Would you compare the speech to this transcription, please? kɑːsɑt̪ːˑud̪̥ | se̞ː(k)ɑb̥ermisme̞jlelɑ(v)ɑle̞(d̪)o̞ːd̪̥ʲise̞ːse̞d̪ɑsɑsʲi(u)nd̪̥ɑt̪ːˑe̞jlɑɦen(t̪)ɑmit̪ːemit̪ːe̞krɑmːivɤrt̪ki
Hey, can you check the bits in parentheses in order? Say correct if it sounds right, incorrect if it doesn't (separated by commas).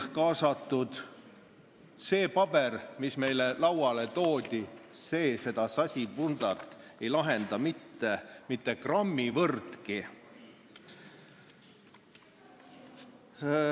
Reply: incorrect, incorrect, incorrect, correct, incorrect